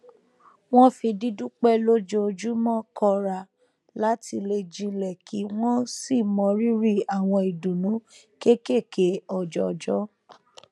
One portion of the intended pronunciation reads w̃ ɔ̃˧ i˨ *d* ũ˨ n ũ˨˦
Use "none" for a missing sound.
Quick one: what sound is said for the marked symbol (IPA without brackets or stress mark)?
d